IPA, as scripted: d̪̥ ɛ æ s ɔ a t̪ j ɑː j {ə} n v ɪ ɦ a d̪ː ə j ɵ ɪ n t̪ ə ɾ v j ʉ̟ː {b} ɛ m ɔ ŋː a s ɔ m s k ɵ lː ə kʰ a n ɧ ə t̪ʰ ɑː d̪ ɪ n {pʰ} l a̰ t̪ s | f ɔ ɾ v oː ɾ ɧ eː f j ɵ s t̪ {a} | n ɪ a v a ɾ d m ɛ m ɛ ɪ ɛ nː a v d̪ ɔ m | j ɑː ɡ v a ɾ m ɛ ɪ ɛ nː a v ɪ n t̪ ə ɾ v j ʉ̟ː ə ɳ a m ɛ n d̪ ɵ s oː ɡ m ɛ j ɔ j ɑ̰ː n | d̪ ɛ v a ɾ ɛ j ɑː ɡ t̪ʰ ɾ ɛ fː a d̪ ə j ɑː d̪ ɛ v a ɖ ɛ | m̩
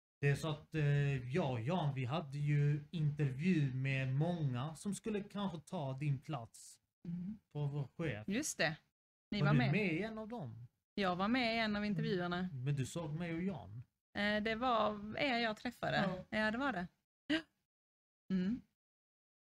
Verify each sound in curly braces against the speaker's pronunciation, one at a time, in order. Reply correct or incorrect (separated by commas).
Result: incorrect, incorrect, correct, incorrect